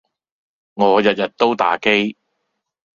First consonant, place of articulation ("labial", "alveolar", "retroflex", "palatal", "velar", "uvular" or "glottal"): velar